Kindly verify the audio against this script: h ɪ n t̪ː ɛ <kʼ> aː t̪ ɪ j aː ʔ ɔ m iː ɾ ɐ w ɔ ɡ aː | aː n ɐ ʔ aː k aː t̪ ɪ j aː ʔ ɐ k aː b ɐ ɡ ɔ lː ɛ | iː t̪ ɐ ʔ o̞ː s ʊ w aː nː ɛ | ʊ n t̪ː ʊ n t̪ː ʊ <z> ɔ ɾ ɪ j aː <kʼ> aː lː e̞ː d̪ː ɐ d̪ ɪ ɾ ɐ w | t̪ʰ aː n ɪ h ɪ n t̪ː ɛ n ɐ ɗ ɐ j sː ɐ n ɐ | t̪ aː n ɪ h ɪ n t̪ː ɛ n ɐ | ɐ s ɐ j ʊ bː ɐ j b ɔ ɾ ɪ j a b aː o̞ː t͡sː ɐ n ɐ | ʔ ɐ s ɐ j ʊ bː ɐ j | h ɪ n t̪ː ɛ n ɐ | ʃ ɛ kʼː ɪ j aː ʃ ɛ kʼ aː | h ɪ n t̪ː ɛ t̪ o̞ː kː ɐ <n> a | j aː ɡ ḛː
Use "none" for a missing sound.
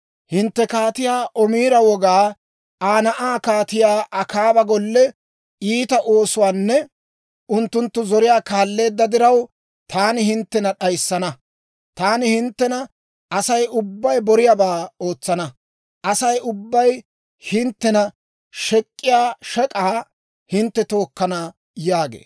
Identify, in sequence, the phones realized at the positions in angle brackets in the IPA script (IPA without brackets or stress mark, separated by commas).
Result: k, z, k, n